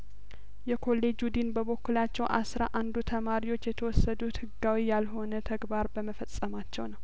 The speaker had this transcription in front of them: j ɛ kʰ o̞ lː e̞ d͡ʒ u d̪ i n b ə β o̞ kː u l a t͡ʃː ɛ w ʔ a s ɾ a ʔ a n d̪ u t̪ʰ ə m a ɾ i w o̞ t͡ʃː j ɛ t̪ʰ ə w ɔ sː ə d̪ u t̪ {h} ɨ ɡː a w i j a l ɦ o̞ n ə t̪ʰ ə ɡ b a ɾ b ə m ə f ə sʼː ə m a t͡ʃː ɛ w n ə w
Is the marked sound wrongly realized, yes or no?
no